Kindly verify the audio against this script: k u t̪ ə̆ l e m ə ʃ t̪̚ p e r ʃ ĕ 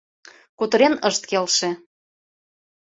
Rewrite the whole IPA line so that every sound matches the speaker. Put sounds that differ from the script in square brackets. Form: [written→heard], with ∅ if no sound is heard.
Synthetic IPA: k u t̪ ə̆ [l→ɾ] e [m→n] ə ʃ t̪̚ [p→k] e [r→l] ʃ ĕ